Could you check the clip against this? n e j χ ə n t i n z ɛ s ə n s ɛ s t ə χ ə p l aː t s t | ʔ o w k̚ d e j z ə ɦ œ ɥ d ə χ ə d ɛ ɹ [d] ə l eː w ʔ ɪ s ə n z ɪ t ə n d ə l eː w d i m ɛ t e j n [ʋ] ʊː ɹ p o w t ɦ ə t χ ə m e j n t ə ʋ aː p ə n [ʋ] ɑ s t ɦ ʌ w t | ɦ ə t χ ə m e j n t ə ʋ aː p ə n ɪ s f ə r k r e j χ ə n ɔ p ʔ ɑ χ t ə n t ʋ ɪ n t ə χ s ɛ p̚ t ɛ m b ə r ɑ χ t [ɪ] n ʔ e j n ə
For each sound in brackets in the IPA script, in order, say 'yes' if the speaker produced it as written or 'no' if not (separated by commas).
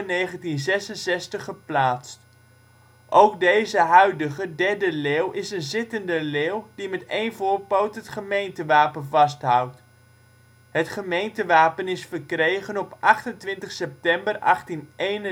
yes, no, no, no